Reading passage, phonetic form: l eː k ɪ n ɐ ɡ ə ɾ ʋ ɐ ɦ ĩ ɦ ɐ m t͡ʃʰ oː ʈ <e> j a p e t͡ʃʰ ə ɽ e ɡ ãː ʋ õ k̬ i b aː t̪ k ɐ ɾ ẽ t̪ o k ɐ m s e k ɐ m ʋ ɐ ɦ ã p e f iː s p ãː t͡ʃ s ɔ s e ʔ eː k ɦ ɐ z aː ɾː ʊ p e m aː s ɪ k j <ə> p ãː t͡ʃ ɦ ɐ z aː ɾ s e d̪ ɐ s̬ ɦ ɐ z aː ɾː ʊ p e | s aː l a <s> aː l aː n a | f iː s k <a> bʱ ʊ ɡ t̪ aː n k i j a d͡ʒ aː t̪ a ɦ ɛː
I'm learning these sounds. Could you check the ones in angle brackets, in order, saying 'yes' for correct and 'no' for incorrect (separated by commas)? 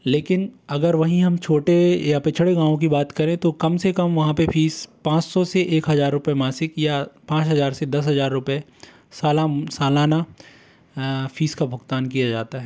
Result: yes, no, yes, yes